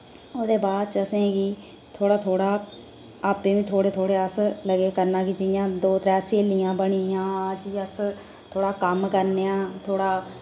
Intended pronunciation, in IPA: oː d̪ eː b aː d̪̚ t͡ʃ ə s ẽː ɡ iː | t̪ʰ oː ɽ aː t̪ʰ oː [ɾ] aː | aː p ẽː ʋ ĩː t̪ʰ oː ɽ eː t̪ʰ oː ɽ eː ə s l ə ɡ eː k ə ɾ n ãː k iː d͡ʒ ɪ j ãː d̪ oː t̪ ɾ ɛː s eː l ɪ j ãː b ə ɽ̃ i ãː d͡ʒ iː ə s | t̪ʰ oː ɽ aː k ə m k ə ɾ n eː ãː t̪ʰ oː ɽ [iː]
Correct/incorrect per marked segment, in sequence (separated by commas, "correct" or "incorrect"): incorrect, incorrect